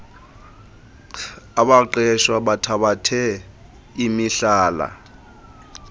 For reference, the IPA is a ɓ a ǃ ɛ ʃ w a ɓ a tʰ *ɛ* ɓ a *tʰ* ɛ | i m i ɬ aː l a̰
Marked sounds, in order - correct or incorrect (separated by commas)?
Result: incorrect, correct